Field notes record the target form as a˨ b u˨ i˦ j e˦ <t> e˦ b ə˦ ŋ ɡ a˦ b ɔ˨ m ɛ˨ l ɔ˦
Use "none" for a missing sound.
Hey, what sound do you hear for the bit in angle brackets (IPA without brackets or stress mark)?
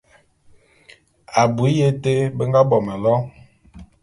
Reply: t